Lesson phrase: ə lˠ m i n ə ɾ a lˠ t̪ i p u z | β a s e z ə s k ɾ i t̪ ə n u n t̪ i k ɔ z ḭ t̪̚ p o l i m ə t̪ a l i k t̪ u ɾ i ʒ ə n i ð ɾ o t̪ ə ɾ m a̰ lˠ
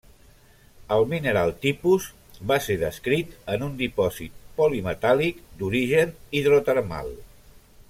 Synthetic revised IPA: ə lˠ m i n ə ɾ a lˠ t̪ i p u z | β a s e ð ə s k ɾ i t̪ ə n u n d̪ i p ɔ z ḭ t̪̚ p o l i m ə t̪ a l i k d̪ u ɾ i ʒ ə n i ð ɾ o t̪ ə ɾ m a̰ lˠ